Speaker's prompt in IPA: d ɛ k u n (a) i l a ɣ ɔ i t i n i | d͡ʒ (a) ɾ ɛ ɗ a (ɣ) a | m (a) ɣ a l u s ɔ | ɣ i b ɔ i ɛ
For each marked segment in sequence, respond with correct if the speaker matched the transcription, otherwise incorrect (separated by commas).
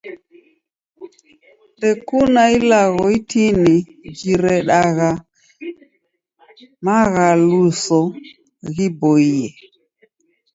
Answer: correct, incorrect, correct, correct